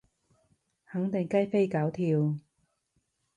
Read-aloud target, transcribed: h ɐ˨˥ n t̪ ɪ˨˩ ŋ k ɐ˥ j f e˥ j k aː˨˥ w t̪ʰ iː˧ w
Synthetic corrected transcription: h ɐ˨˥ ŋ t̪ ɪ˨˩ ŋ k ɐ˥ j f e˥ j k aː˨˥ w t̪ʰ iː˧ w